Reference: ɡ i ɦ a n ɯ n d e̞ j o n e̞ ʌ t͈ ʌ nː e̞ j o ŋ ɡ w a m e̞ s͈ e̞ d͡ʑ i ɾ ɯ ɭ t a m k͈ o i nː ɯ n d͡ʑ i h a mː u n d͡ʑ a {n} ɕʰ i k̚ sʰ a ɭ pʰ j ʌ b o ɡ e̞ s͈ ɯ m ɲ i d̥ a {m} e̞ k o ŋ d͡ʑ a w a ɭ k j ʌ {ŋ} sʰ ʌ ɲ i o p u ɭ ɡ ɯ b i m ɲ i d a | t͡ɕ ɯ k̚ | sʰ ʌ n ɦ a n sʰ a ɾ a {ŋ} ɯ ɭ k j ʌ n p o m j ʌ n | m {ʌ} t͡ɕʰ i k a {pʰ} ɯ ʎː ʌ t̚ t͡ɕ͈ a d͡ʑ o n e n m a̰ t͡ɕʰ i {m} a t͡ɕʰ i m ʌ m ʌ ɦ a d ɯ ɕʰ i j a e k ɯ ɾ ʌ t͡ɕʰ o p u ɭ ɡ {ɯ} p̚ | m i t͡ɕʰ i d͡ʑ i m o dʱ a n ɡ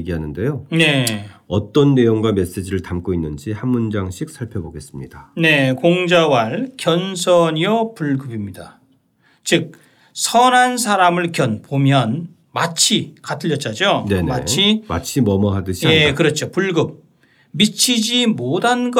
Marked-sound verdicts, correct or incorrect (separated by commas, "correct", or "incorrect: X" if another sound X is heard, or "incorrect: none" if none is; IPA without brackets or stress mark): incorrect: ŋ, incorrect: n, incorrect: n, incorrect: m, incorrect: a, incorrect: tʰ, correct, correct